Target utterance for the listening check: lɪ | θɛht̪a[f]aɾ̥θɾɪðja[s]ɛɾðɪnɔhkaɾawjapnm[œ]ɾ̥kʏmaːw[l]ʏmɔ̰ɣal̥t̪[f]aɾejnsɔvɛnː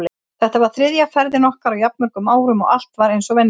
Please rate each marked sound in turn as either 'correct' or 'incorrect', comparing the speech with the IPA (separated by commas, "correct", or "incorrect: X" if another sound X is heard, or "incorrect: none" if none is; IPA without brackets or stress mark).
incorrect: v, incorrect: f, correct, incorrect: ɾ, incorrect: v